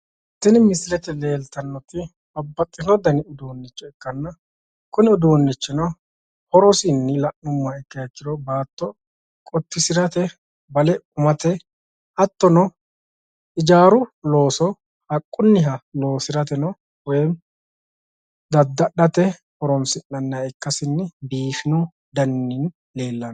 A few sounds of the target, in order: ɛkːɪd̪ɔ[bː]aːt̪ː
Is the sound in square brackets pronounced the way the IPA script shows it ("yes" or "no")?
no